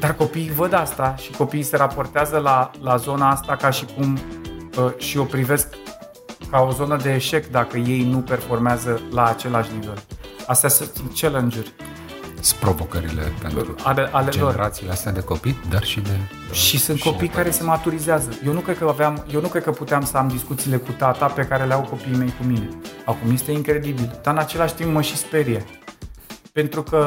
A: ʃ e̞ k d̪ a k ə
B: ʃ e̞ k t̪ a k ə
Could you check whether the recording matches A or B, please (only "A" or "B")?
A